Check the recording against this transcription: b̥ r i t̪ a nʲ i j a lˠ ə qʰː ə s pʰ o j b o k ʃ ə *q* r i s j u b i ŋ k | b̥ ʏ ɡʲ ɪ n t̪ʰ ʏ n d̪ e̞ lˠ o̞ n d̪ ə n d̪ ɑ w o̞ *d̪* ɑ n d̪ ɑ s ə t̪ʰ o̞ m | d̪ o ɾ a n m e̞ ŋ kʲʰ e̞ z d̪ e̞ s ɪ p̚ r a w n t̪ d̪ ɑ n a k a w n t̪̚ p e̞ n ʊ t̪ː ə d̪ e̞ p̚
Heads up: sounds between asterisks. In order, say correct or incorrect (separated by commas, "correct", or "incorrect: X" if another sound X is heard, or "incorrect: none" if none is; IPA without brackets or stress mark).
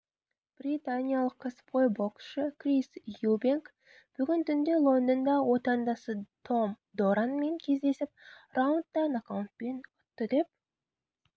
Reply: incorrect: k, incorrect: t̪